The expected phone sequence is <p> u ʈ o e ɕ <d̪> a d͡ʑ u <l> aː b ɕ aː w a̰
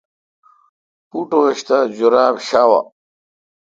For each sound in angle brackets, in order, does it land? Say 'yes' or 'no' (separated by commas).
yes, no, no